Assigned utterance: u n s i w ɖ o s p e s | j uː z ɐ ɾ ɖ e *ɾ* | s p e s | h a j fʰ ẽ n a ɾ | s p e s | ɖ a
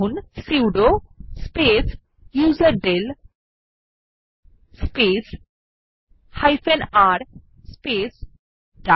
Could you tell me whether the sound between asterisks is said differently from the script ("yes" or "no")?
yes